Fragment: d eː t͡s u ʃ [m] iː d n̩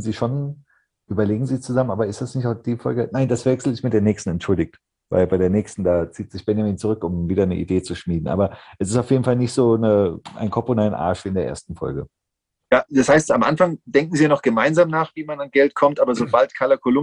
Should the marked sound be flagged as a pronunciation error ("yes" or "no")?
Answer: no